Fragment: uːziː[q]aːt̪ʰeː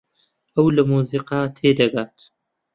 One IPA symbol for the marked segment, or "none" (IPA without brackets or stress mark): q